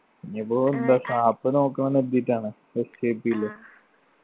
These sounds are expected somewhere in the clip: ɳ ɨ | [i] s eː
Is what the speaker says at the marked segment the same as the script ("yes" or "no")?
no